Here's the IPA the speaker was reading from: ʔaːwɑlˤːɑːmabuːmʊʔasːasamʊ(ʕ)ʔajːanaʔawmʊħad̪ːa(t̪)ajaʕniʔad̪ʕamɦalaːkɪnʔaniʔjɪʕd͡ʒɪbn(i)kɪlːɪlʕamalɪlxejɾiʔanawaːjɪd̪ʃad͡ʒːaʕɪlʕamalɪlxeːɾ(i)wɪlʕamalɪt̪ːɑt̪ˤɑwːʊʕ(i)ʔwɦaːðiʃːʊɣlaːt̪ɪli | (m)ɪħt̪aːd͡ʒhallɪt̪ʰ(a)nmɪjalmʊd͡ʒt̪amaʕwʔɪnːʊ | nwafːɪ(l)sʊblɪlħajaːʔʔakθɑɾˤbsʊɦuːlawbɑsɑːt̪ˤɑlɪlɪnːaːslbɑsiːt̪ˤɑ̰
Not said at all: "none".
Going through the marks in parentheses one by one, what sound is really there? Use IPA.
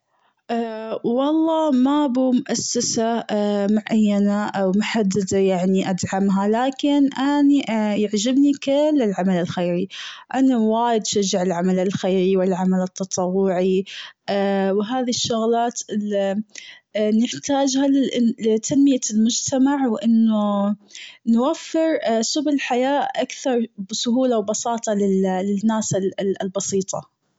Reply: ʕ, d̪, i, i, i, n, a, ɾ

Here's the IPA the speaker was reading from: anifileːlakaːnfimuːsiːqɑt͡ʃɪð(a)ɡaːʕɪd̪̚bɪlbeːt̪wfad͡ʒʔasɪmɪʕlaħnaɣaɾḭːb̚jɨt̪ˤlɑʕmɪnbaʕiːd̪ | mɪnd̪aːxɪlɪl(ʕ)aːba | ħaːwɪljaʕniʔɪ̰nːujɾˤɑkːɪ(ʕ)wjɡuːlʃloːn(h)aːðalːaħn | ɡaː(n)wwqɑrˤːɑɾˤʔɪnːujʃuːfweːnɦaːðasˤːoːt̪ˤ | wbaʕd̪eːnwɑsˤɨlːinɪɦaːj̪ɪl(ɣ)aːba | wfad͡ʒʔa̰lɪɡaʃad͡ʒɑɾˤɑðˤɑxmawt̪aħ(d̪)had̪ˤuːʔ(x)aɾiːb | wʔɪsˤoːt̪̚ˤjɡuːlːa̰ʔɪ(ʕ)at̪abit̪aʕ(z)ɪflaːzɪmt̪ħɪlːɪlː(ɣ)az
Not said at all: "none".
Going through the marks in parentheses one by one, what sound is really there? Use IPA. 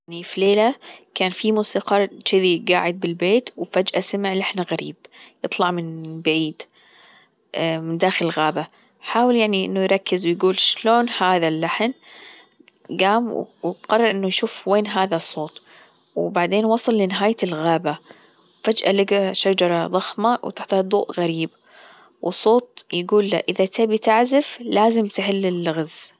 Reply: i, ɣ, z, h, m, ɣ, t̪, ɣ, ð, z, ɣ

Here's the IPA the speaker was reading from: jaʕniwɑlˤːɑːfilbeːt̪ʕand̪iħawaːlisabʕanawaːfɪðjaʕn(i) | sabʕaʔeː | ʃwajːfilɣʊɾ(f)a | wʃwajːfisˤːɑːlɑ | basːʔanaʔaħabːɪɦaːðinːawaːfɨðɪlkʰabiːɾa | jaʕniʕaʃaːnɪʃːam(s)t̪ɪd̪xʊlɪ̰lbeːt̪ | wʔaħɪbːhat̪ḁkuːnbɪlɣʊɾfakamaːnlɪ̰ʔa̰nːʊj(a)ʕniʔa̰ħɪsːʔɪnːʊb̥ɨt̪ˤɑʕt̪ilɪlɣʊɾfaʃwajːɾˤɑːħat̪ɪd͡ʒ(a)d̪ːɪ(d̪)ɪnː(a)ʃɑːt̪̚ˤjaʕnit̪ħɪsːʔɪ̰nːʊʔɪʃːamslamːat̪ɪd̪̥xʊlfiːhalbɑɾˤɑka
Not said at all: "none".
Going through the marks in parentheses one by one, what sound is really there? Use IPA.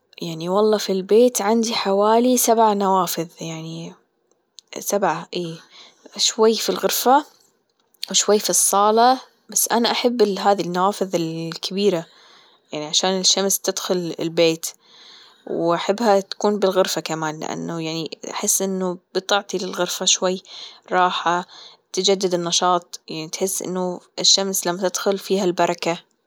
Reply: i, f, s, a, a, d̪, ɑ

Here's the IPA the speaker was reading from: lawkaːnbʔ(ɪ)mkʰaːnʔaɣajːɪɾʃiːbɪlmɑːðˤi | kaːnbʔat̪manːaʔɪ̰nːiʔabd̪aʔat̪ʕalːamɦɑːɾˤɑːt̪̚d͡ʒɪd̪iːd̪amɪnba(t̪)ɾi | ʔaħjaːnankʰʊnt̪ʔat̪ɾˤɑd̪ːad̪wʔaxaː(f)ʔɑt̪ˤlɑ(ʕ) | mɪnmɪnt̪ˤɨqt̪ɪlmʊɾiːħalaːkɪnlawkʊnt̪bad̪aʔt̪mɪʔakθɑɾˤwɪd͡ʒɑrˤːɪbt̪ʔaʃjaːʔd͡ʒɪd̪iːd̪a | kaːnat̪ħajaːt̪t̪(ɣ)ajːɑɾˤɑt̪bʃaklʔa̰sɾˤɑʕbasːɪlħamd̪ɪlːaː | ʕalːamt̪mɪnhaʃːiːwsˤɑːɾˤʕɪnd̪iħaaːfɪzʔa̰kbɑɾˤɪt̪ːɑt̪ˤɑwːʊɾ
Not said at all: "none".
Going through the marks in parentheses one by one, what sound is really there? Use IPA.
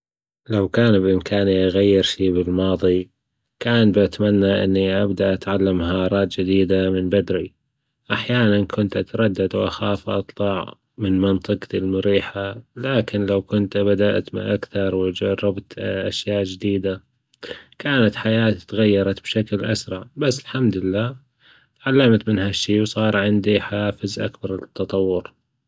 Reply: ɪ, d̪, f, ʕ, ɣ

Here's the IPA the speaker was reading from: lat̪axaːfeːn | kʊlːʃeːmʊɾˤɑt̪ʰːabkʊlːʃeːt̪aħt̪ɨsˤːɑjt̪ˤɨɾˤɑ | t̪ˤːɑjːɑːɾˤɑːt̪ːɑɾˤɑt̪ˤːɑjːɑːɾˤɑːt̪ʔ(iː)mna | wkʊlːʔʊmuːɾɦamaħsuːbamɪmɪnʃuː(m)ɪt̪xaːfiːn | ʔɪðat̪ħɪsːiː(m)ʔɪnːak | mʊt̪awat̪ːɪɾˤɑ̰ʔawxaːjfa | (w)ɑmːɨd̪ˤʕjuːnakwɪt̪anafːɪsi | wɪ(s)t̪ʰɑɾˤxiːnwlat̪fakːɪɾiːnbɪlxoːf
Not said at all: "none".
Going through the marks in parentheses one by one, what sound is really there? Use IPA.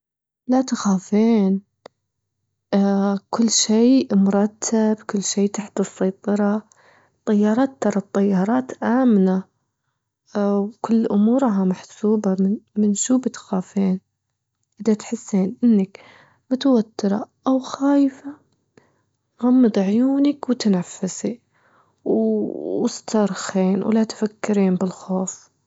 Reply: aː, b, n, ɣ, s

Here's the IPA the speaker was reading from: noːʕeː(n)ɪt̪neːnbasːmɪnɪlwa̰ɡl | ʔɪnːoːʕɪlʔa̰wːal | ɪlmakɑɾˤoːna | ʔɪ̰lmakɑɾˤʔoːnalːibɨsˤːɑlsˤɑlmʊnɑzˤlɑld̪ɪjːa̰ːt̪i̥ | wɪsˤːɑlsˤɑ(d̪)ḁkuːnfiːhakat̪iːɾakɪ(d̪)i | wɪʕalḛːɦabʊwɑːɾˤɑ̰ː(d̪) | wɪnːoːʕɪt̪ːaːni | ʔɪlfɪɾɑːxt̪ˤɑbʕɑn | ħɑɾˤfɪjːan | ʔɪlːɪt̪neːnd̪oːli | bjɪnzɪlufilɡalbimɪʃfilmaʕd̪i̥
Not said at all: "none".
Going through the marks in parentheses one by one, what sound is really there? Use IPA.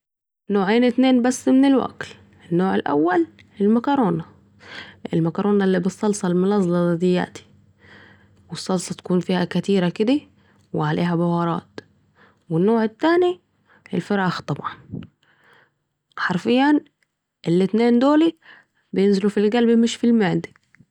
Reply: n, t̪, d̪, t̪

